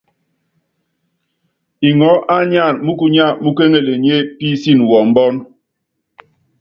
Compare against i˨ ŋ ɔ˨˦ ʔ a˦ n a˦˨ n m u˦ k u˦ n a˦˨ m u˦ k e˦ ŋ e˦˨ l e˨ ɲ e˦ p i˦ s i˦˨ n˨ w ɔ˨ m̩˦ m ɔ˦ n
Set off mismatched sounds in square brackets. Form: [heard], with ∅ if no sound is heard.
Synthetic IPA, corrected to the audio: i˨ ŋ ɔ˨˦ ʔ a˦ [ɲ] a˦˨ n m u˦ k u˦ [ɲ] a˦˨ m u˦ k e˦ ŋ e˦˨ l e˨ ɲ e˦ p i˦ s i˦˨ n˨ w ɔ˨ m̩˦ [b] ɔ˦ n